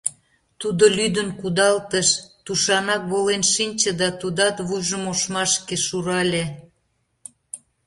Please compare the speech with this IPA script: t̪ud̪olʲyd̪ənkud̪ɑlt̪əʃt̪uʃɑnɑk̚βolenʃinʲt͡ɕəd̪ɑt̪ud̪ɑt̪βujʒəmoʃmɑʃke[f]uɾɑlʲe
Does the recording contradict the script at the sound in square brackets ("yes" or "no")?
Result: yes